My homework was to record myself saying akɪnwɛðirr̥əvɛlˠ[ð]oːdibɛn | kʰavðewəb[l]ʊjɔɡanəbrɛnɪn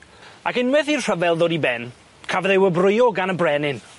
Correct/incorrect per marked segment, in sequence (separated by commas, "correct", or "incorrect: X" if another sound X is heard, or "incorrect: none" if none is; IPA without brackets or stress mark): correct, incorrect: r